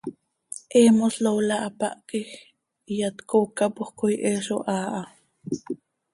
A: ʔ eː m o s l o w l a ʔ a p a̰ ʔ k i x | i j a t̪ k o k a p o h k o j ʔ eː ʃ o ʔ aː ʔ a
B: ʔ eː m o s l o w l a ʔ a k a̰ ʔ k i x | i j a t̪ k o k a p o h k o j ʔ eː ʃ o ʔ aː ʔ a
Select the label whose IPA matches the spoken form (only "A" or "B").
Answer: A